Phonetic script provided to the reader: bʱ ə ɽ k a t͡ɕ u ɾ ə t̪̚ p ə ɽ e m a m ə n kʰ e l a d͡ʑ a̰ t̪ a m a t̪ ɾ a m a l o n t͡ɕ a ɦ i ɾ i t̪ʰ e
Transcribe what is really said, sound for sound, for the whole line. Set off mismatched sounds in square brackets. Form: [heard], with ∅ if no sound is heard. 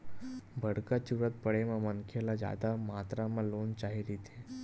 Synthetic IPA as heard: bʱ ə ɽ k a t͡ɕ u ɾ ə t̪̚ p ə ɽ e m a m ə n kʰ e l a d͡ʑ a̰ [d̪] a m a t̪ ɾ a m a l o n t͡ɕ a ɦ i ɾ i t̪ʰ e